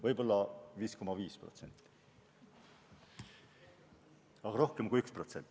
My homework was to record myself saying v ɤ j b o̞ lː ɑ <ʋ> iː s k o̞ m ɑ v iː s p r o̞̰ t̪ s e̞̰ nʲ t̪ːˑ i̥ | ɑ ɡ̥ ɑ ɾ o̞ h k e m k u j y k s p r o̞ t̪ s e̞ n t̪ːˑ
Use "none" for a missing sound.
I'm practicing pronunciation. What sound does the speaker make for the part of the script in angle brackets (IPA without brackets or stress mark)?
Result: v